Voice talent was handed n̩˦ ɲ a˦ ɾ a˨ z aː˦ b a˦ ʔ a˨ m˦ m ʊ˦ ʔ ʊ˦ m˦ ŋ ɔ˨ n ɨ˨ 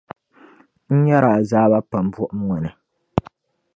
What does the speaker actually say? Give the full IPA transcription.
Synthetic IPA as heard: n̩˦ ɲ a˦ ɾ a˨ z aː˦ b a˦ p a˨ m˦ b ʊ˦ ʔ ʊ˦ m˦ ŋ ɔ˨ n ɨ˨

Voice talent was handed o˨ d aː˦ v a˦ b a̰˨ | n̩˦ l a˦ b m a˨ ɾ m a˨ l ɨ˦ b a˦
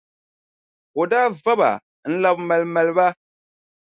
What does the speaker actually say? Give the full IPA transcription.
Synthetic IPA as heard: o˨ d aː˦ v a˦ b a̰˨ | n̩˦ l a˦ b m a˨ l m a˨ l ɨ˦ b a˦

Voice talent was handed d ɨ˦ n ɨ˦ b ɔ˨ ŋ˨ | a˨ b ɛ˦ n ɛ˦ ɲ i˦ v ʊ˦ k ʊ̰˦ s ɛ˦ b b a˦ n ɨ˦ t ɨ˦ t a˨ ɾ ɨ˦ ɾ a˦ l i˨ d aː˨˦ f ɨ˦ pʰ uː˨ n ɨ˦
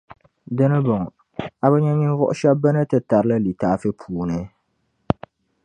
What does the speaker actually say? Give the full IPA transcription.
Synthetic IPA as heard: d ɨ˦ n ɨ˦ b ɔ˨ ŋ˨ | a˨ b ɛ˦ ɲ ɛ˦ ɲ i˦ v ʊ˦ ʔ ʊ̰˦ ʃ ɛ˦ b b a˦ n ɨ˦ t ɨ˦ t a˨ ɾ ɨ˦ l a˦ l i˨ t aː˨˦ f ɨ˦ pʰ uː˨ n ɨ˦

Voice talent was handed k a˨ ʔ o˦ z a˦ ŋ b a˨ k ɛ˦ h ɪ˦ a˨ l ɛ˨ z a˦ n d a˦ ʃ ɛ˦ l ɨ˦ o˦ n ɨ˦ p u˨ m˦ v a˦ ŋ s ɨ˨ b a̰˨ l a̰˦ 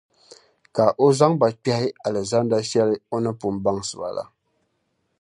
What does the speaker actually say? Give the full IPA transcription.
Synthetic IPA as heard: k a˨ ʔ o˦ z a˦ ŋ b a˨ k͡p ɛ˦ h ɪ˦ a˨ l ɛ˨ z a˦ n d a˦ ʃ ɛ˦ l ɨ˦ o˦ n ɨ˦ p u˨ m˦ b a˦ ŋ s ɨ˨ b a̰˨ l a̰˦

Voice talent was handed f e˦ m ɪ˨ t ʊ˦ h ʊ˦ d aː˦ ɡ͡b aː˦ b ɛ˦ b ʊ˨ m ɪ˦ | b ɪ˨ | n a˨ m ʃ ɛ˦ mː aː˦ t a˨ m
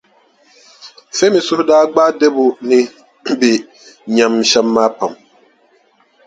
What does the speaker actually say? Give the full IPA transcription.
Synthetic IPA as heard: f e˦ m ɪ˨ s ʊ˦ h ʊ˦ d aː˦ ɡ͡b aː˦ d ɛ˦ b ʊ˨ n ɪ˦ | b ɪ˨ | ɲ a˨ m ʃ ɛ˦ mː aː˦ p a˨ m

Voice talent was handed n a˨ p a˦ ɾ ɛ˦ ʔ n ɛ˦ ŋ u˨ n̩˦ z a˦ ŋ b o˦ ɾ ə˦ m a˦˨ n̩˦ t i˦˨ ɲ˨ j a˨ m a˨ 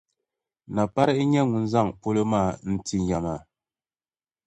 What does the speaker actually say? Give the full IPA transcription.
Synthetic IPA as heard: n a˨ p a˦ ɾ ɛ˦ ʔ ɲ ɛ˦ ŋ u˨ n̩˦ z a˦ ŋ p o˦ l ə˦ m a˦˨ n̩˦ t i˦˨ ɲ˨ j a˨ m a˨

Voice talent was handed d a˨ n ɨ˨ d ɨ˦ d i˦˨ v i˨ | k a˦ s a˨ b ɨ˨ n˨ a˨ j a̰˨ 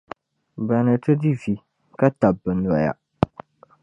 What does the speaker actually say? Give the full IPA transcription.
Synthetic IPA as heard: b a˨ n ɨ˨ t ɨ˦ d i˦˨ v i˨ | k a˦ t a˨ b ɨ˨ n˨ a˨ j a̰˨

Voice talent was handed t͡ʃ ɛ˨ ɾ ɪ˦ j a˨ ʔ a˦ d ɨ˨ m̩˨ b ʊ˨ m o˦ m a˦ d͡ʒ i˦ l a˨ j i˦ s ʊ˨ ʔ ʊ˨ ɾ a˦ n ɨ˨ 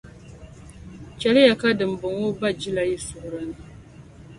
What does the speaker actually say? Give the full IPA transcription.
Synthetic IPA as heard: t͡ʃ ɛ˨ l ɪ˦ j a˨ k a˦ d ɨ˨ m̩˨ b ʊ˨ ŋ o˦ b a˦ d͡ʒ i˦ l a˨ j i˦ s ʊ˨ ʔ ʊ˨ ɾ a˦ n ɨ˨

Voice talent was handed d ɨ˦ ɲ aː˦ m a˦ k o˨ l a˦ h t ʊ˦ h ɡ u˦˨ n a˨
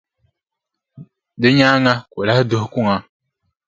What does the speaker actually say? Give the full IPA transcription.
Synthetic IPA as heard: d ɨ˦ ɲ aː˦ ŋ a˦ k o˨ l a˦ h d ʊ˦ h k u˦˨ ŋ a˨

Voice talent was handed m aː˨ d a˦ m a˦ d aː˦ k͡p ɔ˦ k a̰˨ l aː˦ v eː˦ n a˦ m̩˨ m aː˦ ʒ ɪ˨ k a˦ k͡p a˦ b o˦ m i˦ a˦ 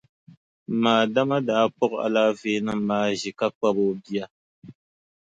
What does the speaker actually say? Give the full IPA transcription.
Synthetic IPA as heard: m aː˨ d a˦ m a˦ d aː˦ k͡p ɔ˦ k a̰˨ l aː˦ v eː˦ n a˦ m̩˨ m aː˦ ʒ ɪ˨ k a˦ k͡p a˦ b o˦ b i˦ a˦

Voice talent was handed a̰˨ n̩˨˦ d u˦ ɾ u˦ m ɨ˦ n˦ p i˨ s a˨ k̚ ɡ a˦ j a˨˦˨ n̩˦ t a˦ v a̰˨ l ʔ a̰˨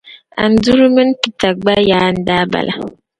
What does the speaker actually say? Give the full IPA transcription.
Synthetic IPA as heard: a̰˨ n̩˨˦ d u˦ ɾ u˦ m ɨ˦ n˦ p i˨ t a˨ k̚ ɡ͡b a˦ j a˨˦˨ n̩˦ d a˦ b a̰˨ l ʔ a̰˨

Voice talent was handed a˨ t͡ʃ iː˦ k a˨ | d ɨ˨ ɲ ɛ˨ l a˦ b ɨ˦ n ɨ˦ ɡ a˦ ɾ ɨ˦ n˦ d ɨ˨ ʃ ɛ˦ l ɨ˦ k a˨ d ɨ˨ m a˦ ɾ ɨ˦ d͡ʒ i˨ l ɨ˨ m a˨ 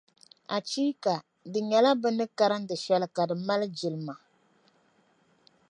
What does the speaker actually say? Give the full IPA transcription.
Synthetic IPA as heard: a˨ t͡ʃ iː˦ k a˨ | d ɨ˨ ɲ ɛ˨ l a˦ b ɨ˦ n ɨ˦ k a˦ ɾ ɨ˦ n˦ d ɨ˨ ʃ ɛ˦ l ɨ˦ k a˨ d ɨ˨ m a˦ l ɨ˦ d͡ʒ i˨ l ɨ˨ m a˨

